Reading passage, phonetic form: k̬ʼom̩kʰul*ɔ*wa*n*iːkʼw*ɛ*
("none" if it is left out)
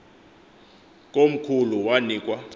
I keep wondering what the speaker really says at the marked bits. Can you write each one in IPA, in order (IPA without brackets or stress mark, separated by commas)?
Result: u, n, a